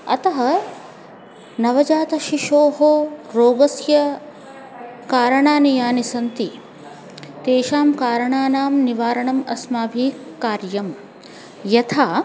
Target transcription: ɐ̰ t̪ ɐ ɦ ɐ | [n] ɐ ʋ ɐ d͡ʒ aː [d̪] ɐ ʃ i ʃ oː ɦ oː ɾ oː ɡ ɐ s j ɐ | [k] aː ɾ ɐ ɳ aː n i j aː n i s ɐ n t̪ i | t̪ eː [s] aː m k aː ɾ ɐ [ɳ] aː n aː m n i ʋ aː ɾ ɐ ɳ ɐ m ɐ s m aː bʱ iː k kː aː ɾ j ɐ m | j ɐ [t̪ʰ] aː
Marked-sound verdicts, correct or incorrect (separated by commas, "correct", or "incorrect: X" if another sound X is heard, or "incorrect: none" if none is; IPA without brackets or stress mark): correct, incorrect: t̪, correct, incorrect: ʃ, correct, correct